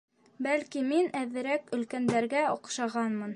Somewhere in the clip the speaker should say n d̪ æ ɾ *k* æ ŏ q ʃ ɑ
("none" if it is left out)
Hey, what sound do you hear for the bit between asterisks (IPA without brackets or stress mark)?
ɡ